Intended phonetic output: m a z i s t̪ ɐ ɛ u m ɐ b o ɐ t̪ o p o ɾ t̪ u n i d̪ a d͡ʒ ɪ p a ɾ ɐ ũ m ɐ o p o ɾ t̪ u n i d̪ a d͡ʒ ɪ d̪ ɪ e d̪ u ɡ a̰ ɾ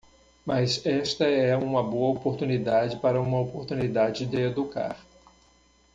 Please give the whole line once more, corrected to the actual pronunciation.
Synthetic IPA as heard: m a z ɛ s t̪ ɐ ɛ ũ m ɐ b o ɐ o p o ɾ t̪ u n i d̪ a d͡ʒ ɪ p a ɾ ɐ ũ m ɐ o p o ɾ t̪ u n i d̪ a d͡ʒ ɪ d̪ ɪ e d̪ u k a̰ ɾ